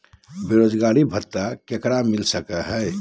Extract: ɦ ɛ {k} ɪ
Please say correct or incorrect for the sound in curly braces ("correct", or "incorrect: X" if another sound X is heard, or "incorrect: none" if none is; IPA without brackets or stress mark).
incorrect: none